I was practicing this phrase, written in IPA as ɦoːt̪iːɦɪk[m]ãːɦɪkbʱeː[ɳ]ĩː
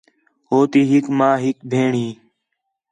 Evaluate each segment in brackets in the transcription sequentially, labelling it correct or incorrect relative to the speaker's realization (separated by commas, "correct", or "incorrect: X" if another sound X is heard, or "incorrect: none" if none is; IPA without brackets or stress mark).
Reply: correct, correct